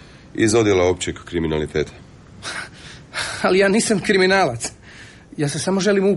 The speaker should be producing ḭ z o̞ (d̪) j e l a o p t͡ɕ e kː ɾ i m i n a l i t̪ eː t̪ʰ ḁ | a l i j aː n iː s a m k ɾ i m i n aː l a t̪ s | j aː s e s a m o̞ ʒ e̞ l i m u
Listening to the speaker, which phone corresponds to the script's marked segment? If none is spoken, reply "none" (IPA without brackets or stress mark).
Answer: d̪